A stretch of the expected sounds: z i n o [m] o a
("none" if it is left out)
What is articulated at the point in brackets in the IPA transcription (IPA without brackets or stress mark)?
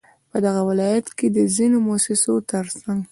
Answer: m